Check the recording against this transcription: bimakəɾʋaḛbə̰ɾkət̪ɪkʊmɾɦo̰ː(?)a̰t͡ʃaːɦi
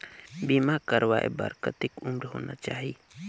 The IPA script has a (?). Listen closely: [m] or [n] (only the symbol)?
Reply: n